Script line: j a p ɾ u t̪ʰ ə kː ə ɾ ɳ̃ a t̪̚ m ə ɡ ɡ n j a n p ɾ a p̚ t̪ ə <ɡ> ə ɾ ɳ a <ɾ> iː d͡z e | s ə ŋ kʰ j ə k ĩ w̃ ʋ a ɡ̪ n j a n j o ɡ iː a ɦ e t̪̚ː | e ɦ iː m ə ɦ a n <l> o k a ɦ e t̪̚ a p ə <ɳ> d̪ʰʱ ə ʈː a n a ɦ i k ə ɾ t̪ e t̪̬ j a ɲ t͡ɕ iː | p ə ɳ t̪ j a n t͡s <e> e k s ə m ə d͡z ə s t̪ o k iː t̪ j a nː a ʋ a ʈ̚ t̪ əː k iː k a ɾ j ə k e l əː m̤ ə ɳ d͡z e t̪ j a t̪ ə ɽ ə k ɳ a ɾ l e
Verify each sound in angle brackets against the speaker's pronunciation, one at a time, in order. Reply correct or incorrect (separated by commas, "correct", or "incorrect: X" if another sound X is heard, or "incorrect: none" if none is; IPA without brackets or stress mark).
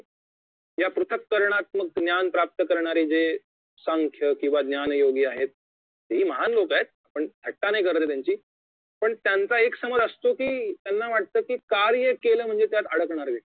incorrect: k, correct, correct, correct, incorrect: a